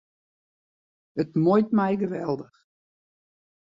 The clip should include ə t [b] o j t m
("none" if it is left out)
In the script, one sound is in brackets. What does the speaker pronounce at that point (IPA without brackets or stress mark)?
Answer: m